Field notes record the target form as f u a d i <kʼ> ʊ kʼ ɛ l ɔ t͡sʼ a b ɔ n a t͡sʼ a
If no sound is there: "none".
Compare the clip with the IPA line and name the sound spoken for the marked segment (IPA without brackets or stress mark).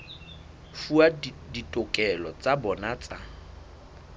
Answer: tʼ